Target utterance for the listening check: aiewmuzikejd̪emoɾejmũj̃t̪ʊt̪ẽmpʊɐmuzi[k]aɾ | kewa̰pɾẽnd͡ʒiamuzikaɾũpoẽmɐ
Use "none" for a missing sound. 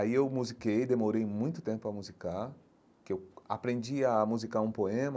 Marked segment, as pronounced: k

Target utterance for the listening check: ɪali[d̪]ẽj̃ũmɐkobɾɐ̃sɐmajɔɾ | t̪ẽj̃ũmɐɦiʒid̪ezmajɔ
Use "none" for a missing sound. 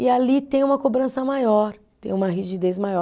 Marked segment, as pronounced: t̪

